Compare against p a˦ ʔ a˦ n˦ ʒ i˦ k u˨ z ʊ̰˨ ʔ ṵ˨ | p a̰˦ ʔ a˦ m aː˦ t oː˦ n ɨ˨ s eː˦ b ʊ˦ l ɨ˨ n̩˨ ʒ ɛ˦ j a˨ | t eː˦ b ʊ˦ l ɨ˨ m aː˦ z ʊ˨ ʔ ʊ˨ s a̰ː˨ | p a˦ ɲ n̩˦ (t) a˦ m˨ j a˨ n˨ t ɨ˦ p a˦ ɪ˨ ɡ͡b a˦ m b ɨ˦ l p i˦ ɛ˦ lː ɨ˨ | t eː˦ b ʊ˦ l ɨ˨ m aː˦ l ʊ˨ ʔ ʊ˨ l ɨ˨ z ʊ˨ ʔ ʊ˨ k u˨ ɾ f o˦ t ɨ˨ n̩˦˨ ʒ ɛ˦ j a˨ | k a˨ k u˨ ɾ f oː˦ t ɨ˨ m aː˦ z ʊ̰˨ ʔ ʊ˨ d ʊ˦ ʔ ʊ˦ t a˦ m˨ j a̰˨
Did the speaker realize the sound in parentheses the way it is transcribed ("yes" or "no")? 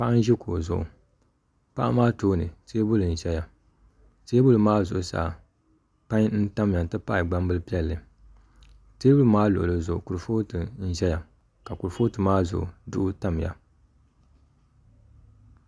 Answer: yes